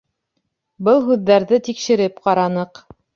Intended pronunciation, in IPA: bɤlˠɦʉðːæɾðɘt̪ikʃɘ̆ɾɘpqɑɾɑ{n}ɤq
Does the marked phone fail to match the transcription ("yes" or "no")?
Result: no